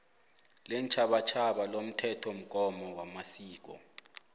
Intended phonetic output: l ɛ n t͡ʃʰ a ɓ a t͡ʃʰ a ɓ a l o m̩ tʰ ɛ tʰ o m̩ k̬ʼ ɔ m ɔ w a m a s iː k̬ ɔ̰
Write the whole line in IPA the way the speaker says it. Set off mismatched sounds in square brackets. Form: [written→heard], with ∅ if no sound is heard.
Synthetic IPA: l ɛ n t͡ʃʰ a ɓ a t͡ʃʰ a ɓ a l o m̩ tʰ ɛ tʰ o m̩ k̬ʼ ɔ m ɔ w a m a s iː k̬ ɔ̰